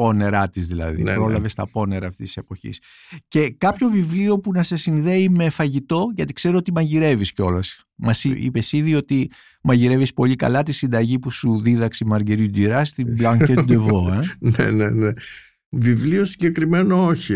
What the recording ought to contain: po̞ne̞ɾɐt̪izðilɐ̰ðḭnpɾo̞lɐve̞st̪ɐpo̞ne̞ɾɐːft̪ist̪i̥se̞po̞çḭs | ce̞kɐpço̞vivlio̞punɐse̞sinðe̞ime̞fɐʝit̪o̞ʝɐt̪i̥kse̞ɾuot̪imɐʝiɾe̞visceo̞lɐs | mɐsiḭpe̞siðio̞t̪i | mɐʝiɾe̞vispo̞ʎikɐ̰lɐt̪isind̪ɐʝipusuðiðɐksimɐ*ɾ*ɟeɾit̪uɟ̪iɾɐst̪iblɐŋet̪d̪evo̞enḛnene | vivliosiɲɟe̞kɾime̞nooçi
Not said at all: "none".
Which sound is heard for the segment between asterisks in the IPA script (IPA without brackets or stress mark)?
ɾ